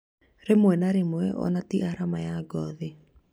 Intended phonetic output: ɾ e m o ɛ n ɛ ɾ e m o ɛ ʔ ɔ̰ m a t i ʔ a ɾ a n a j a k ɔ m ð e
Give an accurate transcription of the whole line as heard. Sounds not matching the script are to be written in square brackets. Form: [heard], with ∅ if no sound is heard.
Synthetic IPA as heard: ɾ e m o ɛ n [a] ɾ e m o ɛ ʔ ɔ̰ [n] a t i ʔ a ɾ a [m] a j a [ɡ] ɔ [∅] ð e